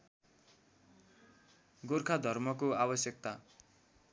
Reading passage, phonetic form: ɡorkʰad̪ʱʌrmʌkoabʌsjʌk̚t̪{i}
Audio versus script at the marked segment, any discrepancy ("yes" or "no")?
yes